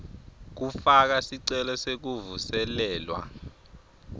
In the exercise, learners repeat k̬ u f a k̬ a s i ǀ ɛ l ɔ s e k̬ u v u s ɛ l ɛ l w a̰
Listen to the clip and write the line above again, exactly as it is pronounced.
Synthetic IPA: k̬ u f a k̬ a s i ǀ ɛ l ɔ s e k̬ u v u s ɛ l ɛː l w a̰